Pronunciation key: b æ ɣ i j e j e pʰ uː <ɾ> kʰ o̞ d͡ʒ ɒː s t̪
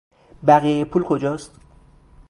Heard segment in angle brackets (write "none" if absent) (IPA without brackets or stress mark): l